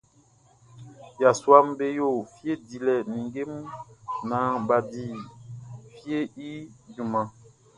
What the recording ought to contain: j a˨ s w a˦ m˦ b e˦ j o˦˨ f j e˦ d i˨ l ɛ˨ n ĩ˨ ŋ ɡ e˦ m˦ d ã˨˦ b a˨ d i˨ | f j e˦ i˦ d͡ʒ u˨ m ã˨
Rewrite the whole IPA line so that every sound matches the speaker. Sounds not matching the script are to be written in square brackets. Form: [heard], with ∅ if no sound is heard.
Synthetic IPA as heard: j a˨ s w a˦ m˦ b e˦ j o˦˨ f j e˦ d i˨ l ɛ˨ n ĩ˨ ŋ ɡ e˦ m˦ [n] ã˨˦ b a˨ d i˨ | f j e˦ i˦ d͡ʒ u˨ m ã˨